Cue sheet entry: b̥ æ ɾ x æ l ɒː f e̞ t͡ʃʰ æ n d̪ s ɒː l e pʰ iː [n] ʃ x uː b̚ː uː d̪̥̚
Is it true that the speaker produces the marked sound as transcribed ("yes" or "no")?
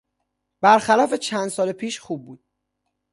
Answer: no